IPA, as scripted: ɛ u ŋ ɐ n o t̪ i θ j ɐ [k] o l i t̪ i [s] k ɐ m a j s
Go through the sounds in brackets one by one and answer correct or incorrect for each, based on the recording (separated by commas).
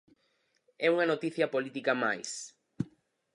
incorrect, incorrect